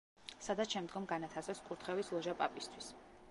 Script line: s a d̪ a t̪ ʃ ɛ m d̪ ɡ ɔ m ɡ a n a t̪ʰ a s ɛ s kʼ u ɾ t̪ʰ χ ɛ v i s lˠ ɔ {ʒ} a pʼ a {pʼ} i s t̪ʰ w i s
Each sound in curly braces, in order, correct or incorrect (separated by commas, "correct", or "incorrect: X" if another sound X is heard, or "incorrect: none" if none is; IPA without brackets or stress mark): correct, correct